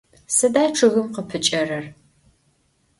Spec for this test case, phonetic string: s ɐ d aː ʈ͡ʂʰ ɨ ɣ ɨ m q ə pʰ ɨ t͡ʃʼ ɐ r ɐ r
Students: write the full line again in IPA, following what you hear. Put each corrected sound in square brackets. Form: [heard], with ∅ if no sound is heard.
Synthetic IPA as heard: s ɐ d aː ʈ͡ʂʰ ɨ ɣ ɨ m q ə pʰ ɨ t͡ʃʼ ɐ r ɐ r